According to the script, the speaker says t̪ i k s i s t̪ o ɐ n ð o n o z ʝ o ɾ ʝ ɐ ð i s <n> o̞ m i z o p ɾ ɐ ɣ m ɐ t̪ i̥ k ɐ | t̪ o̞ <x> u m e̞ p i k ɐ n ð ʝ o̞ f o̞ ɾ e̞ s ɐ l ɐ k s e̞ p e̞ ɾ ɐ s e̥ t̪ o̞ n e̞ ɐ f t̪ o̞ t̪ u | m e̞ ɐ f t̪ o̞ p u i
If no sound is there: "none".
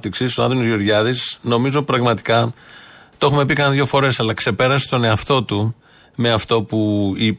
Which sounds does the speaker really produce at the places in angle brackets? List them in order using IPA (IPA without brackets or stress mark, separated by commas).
n, x